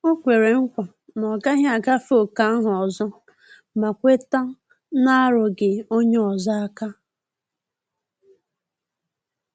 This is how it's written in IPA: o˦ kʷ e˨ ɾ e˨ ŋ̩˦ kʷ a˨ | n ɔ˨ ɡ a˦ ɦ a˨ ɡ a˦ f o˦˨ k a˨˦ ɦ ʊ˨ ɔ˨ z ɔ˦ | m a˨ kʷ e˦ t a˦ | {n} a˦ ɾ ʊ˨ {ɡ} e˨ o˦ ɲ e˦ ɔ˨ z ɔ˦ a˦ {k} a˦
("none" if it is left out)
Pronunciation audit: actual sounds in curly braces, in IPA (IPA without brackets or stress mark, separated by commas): n, ɡ, k